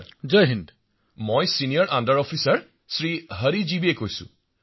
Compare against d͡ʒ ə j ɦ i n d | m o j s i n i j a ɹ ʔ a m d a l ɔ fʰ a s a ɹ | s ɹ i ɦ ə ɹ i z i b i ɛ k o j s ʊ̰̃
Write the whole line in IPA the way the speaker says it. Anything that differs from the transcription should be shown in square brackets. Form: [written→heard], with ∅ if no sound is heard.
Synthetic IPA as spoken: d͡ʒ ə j ɦ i n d | m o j s i n i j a ɹ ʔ a [m→n] d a [l→ɹ] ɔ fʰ [a→i] s a ɹ | s ɹ i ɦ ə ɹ i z i b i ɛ k o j s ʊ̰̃